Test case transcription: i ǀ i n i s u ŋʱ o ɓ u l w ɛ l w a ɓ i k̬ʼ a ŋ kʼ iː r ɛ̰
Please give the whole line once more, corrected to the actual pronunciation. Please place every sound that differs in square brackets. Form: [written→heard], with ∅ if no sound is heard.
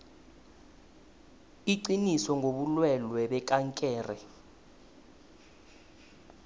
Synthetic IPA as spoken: i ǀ i n i s [u→ɔ] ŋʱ o ɓ u l w ɛ l w [a→ɛ] ɓ [i→ɛ] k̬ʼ a ŋ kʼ [iː→ɛː] r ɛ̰